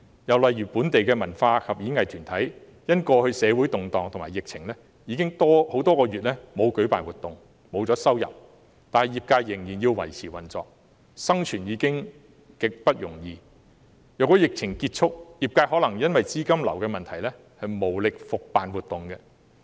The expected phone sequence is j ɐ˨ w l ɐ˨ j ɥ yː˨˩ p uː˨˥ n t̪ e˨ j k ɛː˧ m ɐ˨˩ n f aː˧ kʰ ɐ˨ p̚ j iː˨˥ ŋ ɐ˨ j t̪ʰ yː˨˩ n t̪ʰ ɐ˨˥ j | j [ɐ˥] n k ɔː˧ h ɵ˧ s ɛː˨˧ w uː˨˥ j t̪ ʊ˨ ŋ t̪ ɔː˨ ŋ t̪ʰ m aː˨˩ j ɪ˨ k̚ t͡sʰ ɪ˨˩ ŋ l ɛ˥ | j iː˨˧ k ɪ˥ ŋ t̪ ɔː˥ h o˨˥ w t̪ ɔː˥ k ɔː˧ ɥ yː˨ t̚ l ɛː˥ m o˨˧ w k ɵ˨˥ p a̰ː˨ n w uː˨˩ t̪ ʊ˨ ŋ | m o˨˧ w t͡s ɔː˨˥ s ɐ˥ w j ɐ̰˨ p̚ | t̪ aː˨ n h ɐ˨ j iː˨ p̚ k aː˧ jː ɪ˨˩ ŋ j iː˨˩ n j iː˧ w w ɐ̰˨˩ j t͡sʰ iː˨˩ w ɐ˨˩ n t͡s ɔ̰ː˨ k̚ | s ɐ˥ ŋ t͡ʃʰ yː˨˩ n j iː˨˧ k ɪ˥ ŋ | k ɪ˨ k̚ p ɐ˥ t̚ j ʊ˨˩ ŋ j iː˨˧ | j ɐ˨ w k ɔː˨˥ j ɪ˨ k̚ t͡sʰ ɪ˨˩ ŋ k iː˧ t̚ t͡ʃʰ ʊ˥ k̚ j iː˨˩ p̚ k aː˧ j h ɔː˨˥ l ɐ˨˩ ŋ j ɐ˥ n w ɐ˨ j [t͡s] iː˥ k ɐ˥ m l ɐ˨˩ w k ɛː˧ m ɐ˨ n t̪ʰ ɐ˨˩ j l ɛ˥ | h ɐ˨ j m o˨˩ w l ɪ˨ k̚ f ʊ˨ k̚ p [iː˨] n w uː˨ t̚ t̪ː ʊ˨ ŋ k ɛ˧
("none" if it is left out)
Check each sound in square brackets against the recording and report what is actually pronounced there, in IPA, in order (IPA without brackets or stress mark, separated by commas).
ɐ˥, t͡s, aː˨